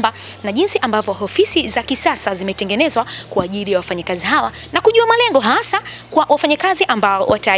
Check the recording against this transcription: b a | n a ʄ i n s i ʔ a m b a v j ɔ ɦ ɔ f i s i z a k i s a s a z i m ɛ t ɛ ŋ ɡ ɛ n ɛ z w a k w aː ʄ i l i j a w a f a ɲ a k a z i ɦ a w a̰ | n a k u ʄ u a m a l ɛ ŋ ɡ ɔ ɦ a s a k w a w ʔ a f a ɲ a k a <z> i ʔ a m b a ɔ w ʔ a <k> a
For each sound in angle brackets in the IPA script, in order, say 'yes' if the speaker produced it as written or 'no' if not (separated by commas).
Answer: yes, no